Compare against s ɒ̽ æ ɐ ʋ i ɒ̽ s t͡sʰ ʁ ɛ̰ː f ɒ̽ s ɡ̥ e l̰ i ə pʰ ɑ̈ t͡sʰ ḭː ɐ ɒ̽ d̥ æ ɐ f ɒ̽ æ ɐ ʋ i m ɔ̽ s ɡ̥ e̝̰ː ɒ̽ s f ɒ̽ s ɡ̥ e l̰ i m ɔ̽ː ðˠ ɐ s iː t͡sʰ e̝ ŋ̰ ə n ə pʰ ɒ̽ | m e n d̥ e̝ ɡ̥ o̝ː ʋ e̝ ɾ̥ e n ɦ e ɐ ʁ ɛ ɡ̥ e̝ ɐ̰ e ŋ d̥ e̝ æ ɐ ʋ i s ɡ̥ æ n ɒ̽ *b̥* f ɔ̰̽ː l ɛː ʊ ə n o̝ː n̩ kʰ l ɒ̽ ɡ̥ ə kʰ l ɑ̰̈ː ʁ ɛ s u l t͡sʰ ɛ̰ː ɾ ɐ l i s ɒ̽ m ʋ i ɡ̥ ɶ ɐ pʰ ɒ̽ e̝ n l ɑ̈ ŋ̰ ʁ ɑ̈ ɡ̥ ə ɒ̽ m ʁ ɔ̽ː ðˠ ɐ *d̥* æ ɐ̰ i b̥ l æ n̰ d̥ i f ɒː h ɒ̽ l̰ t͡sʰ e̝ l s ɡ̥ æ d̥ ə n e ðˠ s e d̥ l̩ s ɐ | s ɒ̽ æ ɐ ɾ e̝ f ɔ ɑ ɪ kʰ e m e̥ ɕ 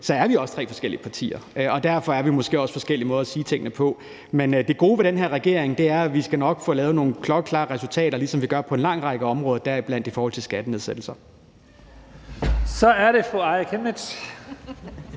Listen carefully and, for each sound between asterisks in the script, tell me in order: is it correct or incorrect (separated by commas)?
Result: incorrect, correct